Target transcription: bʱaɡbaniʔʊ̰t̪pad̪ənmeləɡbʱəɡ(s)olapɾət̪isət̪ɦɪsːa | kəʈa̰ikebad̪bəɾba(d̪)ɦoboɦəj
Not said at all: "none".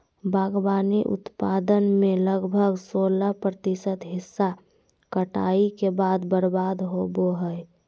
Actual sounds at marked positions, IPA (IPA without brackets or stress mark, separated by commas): s, d̪